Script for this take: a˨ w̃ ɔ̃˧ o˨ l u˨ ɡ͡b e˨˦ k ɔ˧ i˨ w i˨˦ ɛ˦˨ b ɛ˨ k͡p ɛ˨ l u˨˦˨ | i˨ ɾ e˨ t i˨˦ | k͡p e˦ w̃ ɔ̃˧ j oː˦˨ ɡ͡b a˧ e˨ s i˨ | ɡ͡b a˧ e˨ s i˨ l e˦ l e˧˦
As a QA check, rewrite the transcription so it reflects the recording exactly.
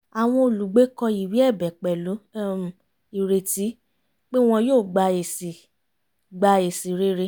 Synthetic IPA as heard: a˨ w̃ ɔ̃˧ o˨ l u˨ ɡ͡b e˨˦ k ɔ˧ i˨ w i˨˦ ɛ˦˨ b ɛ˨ k͡p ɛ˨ l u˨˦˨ | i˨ ɾ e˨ t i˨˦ | k͡p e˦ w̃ ɔ̃˧ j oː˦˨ ɡ͡b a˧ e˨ s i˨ | ɡ͡b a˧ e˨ s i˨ ɾ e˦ ɾ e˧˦